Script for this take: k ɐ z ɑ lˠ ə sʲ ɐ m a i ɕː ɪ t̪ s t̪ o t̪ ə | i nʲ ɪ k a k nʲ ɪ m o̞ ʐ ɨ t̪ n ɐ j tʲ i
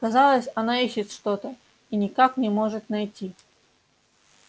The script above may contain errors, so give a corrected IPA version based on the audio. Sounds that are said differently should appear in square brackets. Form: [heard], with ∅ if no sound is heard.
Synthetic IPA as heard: k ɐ z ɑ lˠ ə sʲ ɐ [n] a i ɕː ɪ t̪ [ʂ] t̪ o t̪ ə | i nʲ ɪ k a k nʲ ɪ m o̞ ʐ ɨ t̪ n ɐ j tʲ i